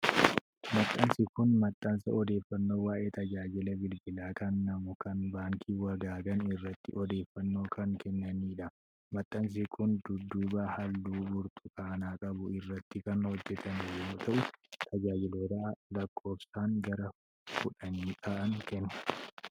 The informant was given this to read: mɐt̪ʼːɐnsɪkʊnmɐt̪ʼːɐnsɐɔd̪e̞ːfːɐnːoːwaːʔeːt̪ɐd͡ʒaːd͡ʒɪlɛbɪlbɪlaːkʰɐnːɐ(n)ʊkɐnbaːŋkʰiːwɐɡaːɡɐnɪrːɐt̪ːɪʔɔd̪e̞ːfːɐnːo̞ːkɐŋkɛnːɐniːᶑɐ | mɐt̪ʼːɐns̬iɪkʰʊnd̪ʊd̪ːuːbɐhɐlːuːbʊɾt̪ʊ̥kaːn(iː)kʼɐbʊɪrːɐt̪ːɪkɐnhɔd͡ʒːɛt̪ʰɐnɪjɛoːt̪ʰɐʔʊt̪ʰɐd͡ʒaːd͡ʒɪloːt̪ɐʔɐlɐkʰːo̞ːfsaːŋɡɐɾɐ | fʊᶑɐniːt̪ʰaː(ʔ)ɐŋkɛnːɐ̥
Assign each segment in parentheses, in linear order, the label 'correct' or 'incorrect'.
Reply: incorrect, incorrect, correct

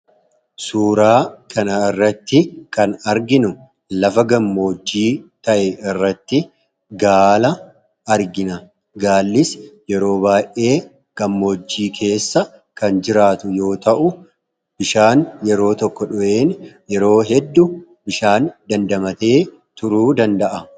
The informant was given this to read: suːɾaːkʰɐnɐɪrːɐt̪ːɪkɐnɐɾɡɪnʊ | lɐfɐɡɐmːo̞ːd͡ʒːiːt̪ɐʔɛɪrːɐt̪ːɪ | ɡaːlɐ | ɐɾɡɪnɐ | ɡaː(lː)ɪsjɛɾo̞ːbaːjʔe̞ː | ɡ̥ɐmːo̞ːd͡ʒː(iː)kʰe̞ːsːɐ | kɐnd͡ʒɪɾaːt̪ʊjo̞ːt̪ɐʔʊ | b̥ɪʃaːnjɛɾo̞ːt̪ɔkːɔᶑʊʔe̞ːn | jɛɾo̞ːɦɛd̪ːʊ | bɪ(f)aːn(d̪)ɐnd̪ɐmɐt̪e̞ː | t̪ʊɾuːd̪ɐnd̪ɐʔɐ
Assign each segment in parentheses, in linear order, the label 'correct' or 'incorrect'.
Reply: correct, correct, incorrect, correct

